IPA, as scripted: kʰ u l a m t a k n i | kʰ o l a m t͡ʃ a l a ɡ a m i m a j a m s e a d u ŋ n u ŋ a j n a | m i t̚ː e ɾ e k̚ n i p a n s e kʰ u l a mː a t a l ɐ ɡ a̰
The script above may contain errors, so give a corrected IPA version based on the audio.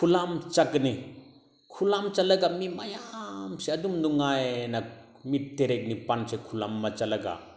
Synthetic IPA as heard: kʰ u l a m t͡ʃ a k n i | kʰ u l a m t͡ʃ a l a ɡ a m i m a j a m s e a d u m n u ŋ a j n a | m i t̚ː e ɾ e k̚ n i p a n s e kʰ u l a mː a t͡ʃ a l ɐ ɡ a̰